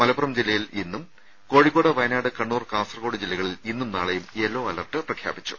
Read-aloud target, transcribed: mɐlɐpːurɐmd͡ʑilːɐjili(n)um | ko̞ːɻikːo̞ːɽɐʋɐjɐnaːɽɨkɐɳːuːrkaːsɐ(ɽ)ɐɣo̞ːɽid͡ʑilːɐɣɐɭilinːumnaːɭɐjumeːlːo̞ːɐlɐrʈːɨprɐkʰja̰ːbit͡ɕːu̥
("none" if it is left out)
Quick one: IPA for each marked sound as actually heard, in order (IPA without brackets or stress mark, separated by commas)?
nː, r